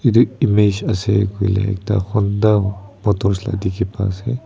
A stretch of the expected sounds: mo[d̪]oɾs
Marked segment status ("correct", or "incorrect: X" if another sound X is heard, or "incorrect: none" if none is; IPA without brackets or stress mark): incorrect: t̪